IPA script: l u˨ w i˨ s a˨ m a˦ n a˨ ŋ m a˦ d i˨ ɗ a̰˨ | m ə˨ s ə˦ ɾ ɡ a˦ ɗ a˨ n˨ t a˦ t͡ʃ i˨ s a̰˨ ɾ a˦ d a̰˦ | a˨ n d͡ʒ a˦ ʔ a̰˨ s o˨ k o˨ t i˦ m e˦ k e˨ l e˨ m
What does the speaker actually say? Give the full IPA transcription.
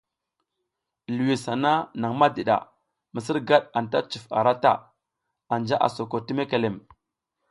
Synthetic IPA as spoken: l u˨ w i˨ s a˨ n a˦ n a˨ ŋ m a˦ d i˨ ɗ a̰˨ | m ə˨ s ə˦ ɾ ɡ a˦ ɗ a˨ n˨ t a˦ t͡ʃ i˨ f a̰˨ ɾ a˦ t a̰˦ | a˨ n d͡ʒ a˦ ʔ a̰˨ s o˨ k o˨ t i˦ m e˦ k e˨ l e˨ m